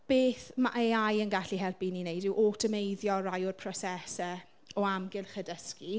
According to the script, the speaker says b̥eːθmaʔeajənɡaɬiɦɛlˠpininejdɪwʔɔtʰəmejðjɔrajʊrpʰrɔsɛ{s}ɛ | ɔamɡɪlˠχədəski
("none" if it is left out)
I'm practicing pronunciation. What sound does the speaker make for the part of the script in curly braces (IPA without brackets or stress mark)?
s